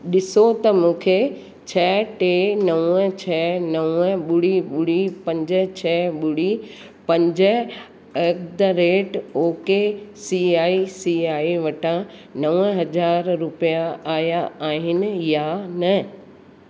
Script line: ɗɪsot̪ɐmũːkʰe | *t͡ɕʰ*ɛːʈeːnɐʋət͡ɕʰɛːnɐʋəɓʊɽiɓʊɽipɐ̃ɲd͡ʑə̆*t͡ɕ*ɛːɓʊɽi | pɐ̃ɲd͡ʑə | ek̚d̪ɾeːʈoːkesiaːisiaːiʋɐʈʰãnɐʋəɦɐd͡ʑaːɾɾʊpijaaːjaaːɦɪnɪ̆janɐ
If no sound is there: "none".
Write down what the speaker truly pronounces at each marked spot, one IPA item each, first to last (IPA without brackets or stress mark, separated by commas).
t͡ɕʰ, t͡ɕʰ